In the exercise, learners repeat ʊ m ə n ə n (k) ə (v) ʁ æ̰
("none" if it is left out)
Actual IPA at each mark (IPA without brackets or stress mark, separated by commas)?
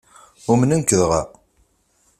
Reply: k, ð